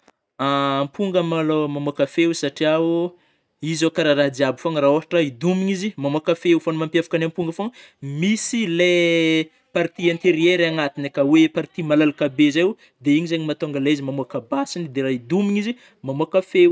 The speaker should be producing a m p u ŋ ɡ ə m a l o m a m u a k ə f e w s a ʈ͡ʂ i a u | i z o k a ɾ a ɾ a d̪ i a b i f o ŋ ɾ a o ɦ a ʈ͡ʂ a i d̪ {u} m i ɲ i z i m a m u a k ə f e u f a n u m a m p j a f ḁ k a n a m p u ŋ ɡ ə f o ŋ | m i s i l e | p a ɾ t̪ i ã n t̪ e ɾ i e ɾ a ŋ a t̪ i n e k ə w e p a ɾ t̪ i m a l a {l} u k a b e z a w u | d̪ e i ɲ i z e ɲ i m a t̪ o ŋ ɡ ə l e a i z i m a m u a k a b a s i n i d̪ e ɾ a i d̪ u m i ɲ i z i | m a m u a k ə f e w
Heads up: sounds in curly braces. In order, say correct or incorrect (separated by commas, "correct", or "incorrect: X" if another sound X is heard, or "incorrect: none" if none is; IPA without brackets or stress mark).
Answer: correct, correct